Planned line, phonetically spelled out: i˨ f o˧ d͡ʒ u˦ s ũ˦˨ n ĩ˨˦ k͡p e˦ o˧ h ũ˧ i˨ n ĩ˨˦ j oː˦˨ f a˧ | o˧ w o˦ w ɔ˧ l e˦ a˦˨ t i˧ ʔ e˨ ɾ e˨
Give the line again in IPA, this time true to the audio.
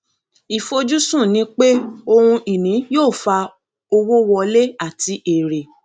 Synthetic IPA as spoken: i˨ f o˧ d͡ʒ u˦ s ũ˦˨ n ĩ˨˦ k͡p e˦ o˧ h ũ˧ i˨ n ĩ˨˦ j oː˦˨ f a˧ | o˧ w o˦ w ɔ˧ l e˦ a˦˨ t i˧ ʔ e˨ ɾ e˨

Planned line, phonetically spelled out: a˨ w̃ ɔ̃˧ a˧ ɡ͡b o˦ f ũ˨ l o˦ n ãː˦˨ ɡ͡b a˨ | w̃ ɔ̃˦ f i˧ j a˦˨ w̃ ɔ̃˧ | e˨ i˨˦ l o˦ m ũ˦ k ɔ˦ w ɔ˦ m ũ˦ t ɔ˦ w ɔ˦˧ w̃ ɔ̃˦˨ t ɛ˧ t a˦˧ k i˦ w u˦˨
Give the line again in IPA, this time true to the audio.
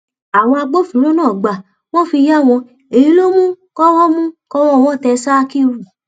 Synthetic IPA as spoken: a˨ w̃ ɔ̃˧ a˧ ɡ͡b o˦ f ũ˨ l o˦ n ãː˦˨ ɡ͡b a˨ | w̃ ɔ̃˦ f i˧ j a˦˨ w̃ ɔ̃˧ | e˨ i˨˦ l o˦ m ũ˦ k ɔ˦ w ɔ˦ m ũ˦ k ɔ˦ w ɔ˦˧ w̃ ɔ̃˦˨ t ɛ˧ s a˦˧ k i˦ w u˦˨

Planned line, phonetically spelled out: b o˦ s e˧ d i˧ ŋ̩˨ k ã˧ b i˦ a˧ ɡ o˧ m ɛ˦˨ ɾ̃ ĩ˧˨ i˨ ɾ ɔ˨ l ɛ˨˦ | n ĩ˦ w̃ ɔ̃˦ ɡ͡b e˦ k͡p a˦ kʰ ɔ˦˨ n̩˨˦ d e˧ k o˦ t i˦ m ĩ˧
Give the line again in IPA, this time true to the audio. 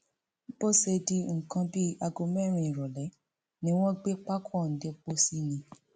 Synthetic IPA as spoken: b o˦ s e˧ d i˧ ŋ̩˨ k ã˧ b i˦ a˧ ɡ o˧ m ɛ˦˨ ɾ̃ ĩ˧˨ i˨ ɾ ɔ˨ l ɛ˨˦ | n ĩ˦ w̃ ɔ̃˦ ɡ͡b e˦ k͡p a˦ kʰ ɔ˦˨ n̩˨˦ d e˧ k͡p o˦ s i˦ n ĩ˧

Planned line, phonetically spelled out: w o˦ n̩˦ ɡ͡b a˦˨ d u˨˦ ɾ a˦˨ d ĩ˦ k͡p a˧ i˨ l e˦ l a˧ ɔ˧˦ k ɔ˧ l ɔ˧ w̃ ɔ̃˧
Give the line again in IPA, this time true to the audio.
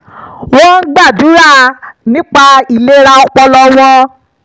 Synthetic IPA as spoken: w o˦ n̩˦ ɡ͡b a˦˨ d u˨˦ ɾ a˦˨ n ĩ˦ k͡p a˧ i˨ l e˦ ɾ a˧ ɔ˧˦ k͡p ɔ˧ l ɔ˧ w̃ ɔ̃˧

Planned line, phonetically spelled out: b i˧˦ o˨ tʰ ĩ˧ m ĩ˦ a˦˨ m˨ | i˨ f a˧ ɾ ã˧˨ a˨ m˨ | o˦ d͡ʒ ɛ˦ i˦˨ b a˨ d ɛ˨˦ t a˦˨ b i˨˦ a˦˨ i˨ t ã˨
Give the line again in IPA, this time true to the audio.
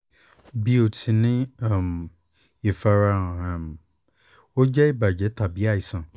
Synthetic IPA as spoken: b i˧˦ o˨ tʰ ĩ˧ n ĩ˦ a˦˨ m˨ | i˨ f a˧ ɾ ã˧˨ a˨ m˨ | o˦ d͡ʒ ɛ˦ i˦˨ b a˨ d͡ʒ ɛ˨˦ t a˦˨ b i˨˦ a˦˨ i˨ s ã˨

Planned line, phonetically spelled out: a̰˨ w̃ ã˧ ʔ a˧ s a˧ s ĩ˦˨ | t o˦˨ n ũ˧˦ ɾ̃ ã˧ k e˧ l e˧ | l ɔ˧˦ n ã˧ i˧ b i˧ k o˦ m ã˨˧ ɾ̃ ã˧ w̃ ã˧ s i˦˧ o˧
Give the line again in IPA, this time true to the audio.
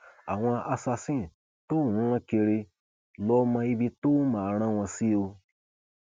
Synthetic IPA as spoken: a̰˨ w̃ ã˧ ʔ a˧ s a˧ s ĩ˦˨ | t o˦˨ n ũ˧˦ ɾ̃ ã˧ k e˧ ɾ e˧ | l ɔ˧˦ m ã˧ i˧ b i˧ t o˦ m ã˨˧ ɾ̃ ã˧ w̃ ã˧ s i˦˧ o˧

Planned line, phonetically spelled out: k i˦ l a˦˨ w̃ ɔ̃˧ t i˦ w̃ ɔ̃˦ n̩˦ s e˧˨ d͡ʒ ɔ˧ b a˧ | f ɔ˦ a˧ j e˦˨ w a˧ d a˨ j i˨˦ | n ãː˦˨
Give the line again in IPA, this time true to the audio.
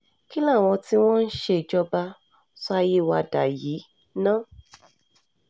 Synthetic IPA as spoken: k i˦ l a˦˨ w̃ ɔ̃˧ t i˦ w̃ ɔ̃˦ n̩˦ ʃ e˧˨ d͡ʒ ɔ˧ b a˧ | s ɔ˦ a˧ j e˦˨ w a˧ d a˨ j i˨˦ | n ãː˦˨

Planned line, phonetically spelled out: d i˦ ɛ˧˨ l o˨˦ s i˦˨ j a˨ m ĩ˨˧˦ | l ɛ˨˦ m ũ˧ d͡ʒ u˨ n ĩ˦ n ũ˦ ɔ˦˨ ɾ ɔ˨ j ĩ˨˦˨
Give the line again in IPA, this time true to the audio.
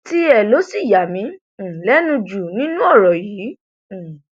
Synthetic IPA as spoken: t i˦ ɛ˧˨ l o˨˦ s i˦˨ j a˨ m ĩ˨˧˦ | l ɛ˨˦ n ũ˧ d͡ʒ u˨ n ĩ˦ n ũ˦ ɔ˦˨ ɾ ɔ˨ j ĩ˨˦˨

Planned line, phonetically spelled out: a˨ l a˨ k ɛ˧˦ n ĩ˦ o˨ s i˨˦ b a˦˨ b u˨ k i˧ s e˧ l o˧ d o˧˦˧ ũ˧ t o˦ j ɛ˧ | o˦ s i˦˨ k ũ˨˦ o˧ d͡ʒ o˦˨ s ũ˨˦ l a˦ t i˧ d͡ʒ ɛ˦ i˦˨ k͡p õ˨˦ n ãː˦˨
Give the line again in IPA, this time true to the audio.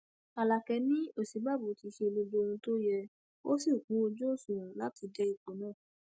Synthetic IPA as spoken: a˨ l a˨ k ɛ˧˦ n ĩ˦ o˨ s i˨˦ b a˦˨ b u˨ t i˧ ʃ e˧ l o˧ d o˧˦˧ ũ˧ t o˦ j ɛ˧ | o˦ s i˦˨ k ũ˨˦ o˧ d͡ʒ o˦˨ s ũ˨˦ l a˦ t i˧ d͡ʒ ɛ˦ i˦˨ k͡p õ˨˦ n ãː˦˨

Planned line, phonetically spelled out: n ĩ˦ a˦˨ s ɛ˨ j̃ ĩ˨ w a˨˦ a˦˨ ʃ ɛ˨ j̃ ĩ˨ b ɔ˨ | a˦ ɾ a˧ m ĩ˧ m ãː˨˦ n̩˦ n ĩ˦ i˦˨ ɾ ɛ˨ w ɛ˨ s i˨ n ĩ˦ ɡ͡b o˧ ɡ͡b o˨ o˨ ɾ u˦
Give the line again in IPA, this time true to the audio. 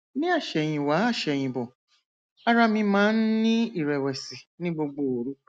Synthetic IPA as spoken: n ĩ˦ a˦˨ ʃ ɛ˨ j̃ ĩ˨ w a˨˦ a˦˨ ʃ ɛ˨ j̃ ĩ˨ b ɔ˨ | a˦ ɾ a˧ m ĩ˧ m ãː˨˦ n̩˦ n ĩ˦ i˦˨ ɾ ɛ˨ w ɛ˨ s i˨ n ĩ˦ ɡ͡b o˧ ɡ͡b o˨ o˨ ɾ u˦

